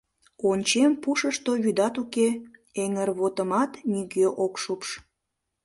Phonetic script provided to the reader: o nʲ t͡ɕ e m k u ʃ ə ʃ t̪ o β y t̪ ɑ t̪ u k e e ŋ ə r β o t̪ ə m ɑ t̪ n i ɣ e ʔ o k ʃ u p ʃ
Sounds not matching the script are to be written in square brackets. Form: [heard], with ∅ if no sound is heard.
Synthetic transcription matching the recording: o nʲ t͡ɕ e m [p] u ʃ ə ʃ t̪ o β y [d̪] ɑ t̪ u k e e ŋ ə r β o t̪ ə m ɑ t̪ n i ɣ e ʔ o k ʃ u p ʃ